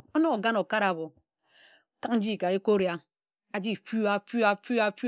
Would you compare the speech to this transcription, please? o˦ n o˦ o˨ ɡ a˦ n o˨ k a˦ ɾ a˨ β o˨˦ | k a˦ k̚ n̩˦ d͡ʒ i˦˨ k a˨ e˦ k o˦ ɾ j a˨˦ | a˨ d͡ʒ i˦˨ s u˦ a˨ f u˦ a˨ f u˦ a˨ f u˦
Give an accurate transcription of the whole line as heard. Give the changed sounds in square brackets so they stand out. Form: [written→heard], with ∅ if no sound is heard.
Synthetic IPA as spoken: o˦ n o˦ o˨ ɡ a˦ n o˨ k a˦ ɾ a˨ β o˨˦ | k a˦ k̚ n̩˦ d͡ʒ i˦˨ k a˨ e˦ k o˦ ɾ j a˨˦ | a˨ d͡ʒ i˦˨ [s→f] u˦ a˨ f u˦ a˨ f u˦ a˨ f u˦